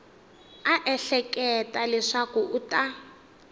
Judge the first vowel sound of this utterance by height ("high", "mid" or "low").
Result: low